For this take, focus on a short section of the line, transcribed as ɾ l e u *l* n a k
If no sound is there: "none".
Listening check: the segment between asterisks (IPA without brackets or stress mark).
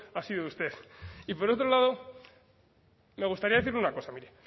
none